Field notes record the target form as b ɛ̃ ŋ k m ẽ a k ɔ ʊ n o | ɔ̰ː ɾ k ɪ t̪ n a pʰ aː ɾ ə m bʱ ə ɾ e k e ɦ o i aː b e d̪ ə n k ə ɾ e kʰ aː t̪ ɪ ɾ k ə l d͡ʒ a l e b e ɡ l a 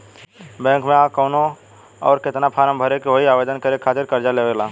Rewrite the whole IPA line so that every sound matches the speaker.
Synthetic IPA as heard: b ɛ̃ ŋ k m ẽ a k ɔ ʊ n o | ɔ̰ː ɾ k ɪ t̪ n a pʰ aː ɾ ə m bʱ ə ɾ e k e ɦ o i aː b e d̪ ə n k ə ɾ e kʰ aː t̪ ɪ ɾ k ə ɾ d͡ʒ a l e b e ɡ l a